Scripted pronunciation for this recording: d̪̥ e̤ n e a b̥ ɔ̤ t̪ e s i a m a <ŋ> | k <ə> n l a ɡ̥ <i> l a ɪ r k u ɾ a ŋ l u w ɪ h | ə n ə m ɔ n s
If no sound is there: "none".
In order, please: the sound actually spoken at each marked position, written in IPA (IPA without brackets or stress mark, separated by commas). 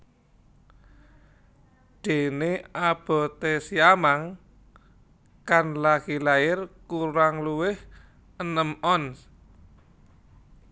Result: ŋ, a, i